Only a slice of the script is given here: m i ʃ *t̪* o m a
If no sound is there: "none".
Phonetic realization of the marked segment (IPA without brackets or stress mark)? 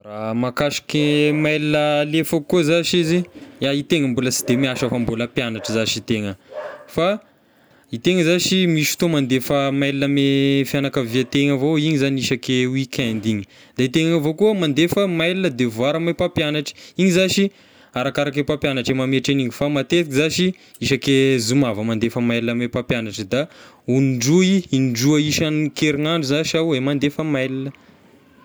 t̪